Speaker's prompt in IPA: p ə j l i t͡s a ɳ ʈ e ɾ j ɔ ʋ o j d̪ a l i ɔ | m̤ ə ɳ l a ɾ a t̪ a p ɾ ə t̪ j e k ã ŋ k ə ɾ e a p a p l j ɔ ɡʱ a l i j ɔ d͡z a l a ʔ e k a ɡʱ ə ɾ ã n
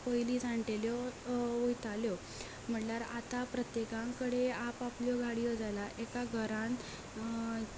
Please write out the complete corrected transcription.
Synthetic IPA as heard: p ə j l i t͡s a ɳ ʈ e l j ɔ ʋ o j t̪ a l j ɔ | m̤ ə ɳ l a ɾ a t̪ a p ɾ ə t̪ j e k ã ŋ k ə ɽ e a p a p l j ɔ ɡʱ a ɽ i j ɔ d͡z a l a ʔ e k a ɡʱ ə ɾ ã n